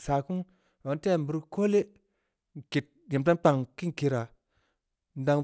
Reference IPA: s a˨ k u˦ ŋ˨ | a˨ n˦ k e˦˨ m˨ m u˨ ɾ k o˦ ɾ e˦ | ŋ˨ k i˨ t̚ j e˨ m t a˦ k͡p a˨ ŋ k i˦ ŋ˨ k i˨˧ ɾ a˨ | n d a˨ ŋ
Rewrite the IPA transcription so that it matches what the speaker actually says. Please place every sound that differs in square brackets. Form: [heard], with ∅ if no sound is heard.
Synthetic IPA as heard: s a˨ k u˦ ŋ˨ | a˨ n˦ [t] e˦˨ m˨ [b] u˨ ɾ k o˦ [l] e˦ | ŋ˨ k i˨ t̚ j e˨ m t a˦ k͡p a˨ ŋ k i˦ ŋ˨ k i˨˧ ɾ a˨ | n d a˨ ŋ